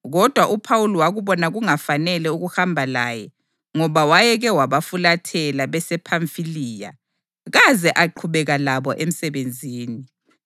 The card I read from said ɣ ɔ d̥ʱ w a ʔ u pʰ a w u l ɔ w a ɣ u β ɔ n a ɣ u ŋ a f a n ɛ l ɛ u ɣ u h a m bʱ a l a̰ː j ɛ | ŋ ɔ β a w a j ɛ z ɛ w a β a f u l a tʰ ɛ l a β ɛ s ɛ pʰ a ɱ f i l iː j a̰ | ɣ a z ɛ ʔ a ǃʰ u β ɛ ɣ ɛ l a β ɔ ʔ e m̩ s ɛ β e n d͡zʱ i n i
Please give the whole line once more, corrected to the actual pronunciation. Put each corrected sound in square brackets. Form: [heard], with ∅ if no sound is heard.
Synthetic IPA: ɣ ɔ d̥ʱ w a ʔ u pʰ a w u l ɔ w a ɣ u β ɔ n a ɣ u ŋ a f a n ɛ l ɛ u ɣ u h a m bʱ a l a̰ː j ɛ | ŋ ɔ β a w a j ɛ [ɣ] ɛ w a β a f u l a tʰ ɛ l a β ɛ s ɛ pʰ a ɱ f i l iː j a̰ | ɣ a z ɛ ʔ a ǃʰ u β ɛ ɣ [a] l a β ɔ ʔ e m̩ s ɛ β e n d͡zʱ [iː] n i